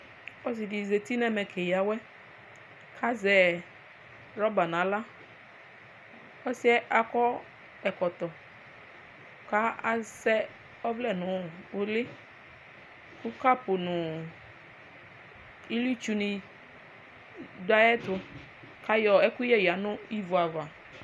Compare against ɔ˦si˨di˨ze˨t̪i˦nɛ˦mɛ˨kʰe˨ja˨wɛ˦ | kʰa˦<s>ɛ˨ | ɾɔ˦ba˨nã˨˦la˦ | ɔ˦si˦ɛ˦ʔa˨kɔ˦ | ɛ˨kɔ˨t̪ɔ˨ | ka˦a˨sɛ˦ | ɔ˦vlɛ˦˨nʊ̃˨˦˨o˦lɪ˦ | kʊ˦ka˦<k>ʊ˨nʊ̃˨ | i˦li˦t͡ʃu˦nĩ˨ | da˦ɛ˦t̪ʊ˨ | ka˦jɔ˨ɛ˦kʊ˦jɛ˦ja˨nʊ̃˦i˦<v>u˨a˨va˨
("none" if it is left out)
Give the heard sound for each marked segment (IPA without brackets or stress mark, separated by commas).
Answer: z, p, v